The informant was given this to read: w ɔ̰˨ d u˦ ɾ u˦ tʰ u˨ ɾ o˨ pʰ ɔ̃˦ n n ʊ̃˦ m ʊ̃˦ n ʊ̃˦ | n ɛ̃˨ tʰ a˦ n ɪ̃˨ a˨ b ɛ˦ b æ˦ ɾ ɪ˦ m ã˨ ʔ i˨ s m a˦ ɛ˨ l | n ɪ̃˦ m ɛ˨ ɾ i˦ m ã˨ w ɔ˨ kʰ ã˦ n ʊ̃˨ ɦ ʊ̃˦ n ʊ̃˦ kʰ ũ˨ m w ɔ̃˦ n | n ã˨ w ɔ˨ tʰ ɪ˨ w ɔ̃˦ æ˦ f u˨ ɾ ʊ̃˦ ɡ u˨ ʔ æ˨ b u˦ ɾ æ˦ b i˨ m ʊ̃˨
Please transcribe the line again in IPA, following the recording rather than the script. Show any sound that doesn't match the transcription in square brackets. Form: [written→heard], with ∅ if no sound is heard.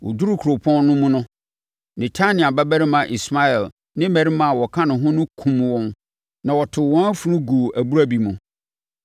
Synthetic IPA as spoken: w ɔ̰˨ d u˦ ɾ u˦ [tʰ→kʰ] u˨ ɾ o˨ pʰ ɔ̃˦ n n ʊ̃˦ m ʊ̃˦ n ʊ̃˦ | n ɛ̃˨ tʰ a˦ n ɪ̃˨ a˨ b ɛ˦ b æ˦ ɾ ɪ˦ m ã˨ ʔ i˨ s m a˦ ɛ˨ l | n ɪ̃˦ m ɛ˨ ɾ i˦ m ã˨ w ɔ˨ kʰ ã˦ n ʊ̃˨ ɦ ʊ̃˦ n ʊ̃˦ kʰ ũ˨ m w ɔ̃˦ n | n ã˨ w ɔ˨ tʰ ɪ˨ w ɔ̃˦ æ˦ f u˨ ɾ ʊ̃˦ ɡ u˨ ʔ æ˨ b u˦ ɾ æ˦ b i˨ m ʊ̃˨